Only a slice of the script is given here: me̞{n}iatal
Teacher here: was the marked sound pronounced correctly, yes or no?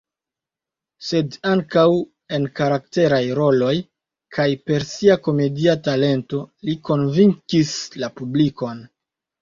no